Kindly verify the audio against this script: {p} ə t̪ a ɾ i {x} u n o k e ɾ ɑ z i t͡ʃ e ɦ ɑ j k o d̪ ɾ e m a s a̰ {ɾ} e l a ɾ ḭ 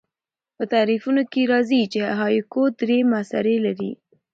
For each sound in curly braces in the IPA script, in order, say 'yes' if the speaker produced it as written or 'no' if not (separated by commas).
yes, no, yes